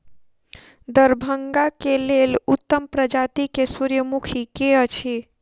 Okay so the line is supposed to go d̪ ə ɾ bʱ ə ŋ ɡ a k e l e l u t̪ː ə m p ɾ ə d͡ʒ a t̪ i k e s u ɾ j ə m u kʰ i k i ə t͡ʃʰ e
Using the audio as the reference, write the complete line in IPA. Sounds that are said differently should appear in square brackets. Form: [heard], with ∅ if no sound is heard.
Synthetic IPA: d̪ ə ɾ bʱ ə ŋ ɡ a k e l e l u t̪ː ə m p ɾ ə d͡ʒ a t̪ i k e s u ɾ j ə m u kʰ i k [e] ə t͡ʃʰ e